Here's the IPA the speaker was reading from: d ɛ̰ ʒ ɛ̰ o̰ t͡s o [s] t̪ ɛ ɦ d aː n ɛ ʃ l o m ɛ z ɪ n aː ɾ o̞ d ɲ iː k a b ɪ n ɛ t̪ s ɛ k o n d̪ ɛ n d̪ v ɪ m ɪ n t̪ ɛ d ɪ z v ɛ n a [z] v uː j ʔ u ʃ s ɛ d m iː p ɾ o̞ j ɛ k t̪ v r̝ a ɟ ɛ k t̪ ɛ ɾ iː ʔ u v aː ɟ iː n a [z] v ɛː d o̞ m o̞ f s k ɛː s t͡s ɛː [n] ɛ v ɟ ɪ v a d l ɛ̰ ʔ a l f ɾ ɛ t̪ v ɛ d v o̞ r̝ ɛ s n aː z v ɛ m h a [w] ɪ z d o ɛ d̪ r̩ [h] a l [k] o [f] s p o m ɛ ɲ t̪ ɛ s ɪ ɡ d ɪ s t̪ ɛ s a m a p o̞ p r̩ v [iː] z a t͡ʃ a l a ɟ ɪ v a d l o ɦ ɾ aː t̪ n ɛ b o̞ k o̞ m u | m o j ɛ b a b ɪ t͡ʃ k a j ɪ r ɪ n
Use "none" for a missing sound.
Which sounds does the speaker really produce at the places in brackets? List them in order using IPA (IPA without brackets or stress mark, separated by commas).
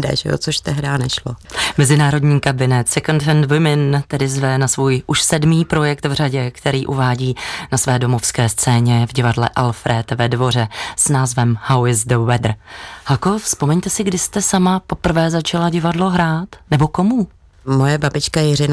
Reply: ʃ, s, s, ɲ, w, h, k, f, ɛː